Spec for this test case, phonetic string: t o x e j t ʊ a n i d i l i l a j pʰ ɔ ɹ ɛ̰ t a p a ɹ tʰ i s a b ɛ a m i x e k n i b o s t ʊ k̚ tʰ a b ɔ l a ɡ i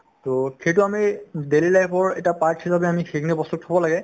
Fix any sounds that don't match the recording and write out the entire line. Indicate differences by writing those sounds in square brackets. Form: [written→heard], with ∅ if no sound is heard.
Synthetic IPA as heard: t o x e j t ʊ a [n→m] i d [i→e] l i l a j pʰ ɔ ɹ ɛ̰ t a p a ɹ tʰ i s a b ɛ a m i x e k n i b [o→ɔ] s t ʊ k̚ tʰ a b ɔ l a ɡ [i→ɛ]